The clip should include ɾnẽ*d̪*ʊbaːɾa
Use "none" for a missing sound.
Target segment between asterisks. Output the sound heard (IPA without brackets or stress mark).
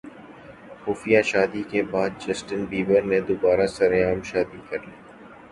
d̪